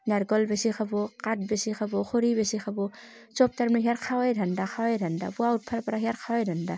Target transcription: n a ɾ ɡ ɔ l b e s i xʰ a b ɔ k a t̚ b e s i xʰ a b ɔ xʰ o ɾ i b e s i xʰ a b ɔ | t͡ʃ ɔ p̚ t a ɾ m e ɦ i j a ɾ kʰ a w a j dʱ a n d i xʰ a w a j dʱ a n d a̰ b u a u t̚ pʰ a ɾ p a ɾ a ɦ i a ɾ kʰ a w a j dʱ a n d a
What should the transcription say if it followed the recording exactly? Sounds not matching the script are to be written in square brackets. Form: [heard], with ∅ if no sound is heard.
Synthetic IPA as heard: n a ɾ ɡ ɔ l b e s i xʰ a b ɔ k a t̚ b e s i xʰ a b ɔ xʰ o ɾ i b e s i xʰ a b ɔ | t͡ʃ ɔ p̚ t a ɾ m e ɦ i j a ɾ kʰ a w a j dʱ a n d [a] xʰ a w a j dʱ a n d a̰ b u a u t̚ pʰ a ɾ p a ɾ a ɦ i a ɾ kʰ a w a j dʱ a n d a